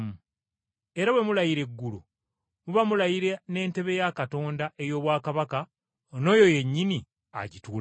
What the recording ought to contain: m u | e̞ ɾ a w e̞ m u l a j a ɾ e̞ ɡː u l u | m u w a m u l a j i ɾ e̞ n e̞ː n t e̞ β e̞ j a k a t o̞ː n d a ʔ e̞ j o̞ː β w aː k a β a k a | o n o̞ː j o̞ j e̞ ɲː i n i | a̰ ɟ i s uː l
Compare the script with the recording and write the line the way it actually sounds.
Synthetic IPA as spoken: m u | e̞ ɾ a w e̞ m u l a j i ɾ e̞ ɡː u l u | m u β a m u l a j i ɾ e̞ n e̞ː n t e̞ β e̞ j a k a t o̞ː n d a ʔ e̞ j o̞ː β w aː k a β a k a | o n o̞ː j o̞ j e̞ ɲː i n i | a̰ ɟ i t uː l